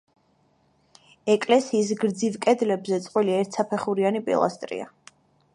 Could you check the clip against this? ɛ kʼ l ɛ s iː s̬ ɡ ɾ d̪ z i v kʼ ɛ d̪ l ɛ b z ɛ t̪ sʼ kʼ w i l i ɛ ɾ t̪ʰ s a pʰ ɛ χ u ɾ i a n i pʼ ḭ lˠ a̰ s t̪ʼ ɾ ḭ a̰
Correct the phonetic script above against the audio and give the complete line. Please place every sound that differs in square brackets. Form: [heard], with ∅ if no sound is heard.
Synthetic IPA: ɛ kʼ l ɛ s iː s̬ ɡ ɾ d̪ z i v kʼ ɛ d̪ l ɛ b z ɛ t̪ sʼ [qʼ] w i l i ɛ ɾ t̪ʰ s a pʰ ɛ χ u ɾ i a n i pʼ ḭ lˠ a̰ s t̪ʼ ɾ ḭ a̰